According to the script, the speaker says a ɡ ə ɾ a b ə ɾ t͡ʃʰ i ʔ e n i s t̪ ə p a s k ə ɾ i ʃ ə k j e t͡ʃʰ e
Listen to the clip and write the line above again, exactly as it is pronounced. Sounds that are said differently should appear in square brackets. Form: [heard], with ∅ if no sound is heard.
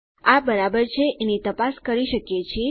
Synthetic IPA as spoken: a [b] ə ɾ a b ə ɾ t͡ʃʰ [e] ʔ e n i [∅] t̪ ə p a s k ə ɾ i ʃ ə k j e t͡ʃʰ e

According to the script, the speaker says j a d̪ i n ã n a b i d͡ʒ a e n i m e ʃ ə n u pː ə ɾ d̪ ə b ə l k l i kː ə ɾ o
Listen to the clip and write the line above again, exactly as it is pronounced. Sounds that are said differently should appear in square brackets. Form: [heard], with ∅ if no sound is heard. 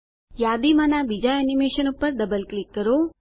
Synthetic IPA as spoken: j a d̪ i [m] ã n a b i d͡ʒ a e n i m e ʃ ə n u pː ə ɾ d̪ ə b ə l k l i kː ə ɾ o

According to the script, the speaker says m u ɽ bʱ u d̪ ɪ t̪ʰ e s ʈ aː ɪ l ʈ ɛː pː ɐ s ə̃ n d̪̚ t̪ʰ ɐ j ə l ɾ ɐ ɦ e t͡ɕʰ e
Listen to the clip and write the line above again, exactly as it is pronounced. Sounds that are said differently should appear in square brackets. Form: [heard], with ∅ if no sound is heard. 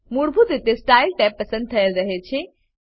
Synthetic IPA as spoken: m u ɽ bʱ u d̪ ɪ [t̪] e s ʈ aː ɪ l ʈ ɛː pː ɐ s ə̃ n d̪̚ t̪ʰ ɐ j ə l ɾ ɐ ɦ e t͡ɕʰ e

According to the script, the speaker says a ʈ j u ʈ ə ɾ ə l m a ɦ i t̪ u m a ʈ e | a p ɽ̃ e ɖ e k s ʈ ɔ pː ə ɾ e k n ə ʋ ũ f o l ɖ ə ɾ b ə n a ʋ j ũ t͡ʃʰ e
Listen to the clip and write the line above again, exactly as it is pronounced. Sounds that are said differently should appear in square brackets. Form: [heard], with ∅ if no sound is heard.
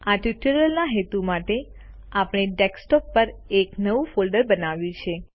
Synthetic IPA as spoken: a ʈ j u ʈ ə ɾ ə l [n] a ɦ [e] t̪ u m a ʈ e | a p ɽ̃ e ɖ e k s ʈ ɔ pː ə ɾ e k n ə ʋ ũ f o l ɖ ə ɾ b ə n a ʋ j ũ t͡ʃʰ e

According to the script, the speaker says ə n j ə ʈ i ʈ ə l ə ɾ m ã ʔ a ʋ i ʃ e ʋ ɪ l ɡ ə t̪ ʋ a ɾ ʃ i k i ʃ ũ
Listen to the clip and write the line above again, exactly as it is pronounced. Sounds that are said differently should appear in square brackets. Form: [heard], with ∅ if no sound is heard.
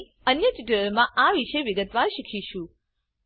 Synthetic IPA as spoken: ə n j ə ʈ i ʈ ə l ə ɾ m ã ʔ a ʋ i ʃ e ʋ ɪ [∅] ɡ ə t̪ ʋ a ɾ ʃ i [kʰ] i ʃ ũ

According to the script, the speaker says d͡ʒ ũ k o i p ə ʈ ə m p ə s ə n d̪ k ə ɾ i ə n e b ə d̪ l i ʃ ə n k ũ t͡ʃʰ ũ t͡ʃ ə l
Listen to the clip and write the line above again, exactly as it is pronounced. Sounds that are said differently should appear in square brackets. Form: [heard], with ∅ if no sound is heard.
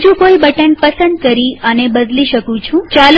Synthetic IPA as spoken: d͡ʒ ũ k o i [b] ə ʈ ə [n] p ə s ə n d̪ k ə ɾ i ə n e b ə d̪ l i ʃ ə [∅] k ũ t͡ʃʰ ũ t͡ʃ [a] l

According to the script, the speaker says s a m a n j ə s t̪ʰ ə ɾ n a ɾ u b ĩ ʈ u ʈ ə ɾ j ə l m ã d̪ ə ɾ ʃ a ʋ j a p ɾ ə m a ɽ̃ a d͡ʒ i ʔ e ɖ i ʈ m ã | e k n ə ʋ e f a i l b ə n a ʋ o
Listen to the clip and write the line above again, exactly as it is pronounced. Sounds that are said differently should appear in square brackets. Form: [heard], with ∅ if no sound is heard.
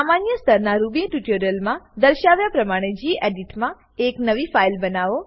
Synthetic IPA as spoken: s a m a n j ə s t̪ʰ ə ɾ n a ɾ u b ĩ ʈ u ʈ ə ɾ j ə l m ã d̪ ə ɾ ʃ a ʋ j a p ɾ ə m a ɽ̃ [e] d͡ʒ i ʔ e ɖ i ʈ m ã | e k n ə ʋ [i] f a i l b ə n a ʋ o

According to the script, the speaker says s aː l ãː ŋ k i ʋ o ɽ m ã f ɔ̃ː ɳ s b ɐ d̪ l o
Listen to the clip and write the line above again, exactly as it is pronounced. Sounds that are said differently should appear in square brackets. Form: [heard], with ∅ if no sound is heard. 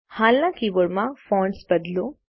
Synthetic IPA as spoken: [h] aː l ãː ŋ k i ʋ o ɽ m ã f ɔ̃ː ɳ s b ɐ d̪ l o

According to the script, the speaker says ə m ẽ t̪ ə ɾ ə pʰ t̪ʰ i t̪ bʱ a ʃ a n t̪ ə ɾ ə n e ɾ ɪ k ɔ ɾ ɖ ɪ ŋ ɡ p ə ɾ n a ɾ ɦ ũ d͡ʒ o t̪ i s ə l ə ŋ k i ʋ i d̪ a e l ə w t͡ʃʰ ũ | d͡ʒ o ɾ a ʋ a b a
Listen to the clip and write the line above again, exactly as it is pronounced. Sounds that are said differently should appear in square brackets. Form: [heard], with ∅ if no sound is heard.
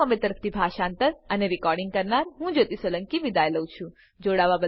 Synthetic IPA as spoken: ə m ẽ t̪ ə ɾ ə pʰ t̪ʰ i [∅] bʱ a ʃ a n t̪ ə ɾ ə n e ɾ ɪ k ɔ ɾ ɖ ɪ ŋ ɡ [k] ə ɾ n a ɾ ɦ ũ d͡ʒ o t̪ i s ə l ə ŋ k i ʋ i d̪ a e l ə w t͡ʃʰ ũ | d͡ʒ o [ɽ] a ʋ a b [ə]

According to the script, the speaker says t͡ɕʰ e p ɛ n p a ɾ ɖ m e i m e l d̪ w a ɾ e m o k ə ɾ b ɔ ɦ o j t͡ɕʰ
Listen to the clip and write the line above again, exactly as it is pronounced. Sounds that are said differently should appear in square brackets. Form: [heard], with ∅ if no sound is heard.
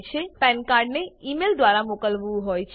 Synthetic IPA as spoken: t͡ɕʰ e p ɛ n [k] a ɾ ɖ [n] e i m e l d̪ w a ɾ [a] m o k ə [l] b [u] ɦ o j t͡ɕʰ

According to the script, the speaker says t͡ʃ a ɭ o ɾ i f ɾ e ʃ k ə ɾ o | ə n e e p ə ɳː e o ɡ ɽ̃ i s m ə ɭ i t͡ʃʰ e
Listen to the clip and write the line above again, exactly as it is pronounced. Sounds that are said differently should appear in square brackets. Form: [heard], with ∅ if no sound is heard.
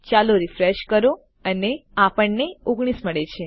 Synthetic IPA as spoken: t͡ʃ a [l] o ɾ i f ɾ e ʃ k ə ɾ o | ə n e [a] p ə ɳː e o ɡ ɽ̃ i s m ə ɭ [e] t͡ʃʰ e

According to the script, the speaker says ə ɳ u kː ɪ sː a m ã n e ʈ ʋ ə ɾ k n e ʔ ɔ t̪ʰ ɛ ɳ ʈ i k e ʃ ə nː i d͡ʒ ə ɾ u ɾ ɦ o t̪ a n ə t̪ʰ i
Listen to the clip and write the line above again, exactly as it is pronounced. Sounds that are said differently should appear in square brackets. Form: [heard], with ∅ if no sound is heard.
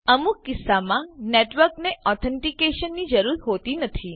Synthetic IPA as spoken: ə [m] u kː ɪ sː a m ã n e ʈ ʋ ə ɾ k n e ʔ ɔ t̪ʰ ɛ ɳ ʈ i k e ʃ ə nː i d͡ʒ ə ɾ u ɾ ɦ o t̪ [i] n ə t̪ʰ i

